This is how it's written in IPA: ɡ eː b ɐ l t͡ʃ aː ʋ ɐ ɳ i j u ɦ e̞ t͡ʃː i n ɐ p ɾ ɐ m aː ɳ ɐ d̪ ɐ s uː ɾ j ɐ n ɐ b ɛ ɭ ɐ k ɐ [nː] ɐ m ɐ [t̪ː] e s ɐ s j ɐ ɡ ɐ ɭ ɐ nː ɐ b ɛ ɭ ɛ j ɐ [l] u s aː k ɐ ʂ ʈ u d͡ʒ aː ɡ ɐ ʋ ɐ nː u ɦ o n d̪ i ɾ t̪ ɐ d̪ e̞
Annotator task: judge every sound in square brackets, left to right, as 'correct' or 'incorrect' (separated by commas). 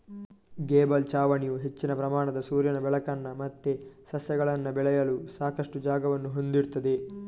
correct, correct, correct